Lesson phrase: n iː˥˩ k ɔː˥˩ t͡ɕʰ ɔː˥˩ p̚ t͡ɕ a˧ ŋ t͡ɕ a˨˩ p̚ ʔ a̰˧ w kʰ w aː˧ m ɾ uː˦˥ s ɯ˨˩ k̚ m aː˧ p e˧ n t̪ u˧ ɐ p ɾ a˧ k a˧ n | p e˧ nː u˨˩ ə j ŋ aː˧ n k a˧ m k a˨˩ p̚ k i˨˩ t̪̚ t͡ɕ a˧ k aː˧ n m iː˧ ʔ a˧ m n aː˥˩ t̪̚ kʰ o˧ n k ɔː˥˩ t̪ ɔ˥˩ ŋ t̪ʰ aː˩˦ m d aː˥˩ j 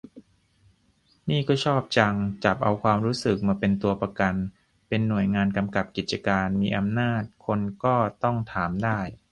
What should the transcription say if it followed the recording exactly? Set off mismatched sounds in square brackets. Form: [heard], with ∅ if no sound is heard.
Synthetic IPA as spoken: n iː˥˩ k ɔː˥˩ t͡ɕʰ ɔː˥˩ p̚ t͡ɕ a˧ ŋ t͡ɕ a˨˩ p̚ ʔ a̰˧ w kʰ w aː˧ m ɾ uː˦˥ s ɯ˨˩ k̚ m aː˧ p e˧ n t̪ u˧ ɐ p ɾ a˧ k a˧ n | p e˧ nː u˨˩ ə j ŋ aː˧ n k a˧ m k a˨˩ p̚ k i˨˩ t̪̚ t͡ɕ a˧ k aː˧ n m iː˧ ʔ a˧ m n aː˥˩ t̪̚ kʰ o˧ n k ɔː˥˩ t̪ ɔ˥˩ ŋ t̪ʰ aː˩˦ m d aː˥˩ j